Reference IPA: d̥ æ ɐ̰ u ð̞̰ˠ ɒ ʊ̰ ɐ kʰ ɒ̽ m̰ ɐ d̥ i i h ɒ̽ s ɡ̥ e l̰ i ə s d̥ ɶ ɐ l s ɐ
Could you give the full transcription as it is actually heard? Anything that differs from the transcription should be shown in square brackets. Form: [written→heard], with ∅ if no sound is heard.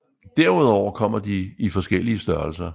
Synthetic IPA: d̥ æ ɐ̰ u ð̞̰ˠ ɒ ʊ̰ ɐ kʰ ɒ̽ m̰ ɐ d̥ i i [h→f] ɒ̽ s ɡ̥ e l̰ i ə s d̥ ɶ ɐ l s ɐ